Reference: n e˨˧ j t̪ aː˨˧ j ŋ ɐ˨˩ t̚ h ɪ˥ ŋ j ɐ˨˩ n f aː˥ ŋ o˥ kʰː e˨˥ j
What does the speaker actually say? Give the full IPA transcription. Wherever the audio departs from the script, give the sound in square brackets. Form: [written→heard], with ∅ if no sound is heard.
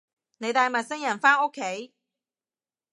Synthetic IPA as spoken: n e˨˧ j t̪ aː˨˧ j [ŋ→m] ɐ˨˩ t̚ [h→s] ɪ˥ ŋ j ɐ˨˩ n f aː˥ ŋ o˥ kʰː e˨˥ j